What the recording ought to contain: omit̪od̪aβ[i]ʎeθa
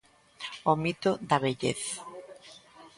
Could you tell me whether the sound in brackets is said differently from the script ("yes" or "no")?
yes